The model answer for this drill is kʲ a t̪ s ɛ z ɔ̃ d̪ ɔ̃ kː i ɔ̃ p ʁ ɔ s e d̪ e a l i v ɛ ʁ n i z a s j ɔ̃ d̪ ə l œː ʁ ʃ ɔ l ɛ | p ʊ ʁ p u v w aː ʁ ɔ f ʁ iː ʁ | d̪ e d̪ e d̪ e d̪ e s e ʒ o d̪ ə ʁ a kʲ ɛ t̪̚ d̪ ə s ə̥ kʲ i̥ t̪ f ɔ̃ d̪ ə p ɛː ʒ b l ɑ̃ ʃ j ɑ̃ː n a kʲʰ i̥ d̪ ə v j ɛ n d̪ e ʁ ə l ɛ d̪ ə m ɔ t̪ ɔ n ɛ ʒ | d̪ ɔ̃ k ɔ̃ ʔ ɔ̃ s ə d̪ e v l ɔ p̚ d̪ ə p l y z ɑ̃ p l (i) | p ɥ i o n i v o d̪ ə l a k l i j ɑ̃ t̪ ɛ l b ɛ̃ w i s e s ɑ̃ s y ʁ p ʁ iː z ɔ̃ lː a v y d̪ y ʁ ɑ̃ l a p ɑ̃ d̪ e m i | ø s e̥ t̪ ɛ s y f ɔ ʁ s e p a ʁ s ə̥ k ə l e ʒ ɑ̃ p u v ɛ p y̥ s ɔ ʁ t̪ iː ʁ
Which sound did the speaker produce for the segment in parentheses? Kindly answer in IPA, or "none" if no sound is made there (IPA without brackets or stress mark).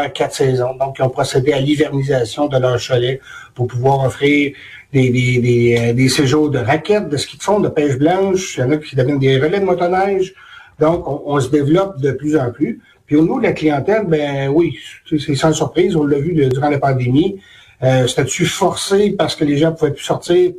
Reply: y